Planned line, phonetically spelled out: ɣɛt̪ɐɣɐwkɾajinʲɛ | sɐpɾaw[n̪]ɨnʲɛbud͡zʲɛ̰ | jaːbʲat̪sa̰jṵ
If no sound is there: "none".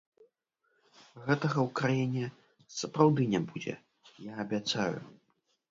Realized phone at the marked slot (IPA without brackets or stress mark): d̪